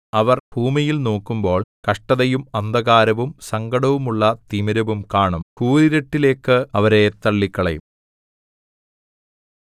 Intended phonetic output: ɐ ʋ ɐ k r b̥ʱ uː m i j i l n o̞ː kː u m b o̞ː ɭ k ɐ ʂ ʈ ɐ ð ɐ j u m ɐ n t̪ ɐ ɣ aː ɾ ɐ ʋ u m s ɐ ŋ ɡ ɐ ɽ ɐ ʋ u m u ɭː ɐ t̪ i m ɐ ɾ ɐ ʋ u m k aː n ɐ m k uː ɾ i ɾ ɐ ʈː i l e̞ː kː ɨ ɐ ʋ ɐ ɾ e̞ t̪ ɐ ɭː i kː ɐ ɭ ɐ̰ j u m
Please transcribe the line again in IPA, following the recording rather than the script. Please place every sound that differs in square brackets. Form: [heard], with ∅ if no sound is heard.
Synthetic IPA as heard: ɐ ʋ ɐ [∅] r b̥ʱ uː m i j i l n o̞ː kː u m b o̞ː ɭ k ɐ ʂ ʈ ɐ ð ɐ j u m ɐ n [d̪] ɐ ɣ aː ɾ ɐ ʋ u m s ɐ ŋ ɡ ɐ ɽ ɐ ʋ u m u ɭː ɐ t̪ i m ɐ ɾ ɐ ʋ u m k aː [ɳ] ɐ m k uː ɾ i ɾ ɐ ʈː i l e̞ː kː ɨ ɐ ʋ ɐ ɾ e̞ t̪ ɐ ɭː i kː ɐ ɭ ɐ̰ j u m